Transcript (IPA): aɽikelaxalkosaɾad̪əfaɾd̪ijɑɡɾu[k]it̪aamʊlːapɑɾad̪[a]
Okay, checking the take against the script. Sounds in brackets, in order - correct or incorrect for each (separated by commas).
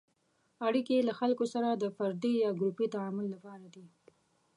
incorrect, incorrect